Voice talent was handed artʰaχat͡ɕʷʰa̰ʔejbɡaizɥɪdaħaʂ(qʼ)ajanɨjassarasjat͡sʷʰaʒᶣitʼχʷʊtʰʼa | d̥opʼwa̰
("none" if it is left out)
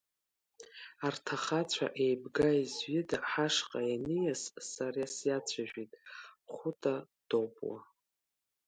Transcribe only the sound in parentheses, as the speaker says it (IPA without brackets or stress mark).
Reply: qʼ